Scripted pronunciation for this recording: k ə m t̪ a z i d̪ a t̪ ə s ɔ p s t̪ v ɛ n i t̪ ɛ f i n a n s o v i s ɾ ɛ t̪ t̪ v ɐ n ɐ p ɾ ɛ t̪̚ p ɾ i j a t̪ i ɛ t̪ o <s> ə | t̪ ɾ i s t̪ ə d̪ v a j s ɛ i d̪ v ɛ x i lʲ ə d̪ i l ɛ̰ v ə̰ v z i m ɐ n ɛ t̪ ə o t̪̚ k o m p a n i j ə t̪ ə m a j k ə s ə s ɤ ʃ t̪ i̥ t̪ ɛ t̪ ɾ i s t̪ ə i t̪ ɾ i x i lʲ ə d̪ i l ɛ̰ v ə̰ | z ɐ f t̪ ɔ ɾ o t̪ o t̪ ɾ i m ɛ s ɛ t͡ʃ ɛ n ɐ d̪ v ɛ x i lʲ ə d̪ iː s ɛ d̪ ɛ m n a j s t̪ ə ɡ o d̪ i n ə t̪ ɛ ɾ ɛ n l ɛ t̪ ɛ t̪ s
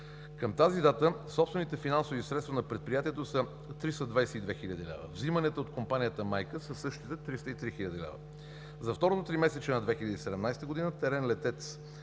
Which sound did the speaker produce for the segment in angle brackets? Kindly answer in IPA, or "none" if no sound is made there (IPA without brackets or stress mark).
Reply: s